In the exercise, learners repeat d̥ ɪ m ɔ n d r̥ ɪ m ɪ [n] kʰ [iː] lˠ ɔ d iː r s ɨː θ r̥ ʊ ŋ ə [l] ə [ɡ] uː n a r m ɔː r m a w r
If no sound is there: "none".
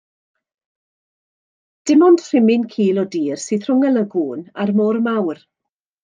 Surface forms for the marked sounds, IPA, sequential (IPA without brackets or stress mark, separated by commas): n, iː, l, ɡ